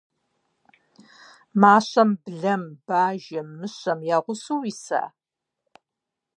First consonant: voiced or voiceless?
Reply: voiced